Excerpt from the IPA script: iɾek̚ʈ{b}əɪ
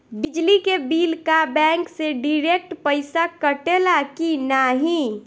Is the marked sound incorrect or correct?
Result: incorrect